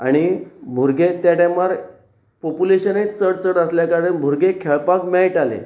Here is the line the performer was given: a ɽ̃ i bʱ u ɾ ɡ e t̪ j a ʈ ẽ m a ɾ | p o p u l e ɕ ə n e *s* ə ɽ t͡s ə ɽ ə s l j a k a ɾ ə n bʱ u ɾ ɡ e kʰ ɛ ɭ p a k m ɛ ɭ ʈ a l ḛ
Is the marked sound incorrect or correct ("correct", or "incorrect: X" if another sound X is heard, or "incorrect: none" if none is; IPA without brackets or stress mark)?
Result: incorrect: t͡s